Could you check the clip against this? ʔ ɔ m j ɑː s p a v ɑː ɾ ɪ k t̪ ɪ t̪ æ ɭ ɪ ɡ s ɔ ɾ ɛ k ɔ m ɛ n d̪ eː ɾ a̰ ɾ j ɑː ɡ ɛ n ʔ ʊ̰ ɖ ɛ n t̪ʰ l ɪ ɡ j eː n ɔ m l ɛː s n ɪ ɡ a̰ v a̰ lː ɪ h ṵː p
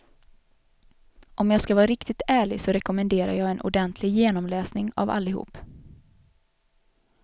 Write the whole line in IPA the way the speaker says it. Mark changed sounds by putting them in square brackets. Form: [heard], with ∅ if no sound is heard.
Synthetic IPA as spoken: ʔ ɔ m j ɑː s [k] a v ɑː ɾ ɪ k t̪ ɪ t̪ [æː] ɭ ɪ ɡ s ɔ ɾ ɛ k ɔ m ɛ n d̪ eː ɾ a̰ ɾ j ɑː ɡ ɛ n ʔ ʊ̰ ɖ ɛ n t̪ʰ l ɪ ɡ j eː n ɔ m l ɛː s n ɪ [ŋ] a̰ v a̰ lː ɪ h ṵː p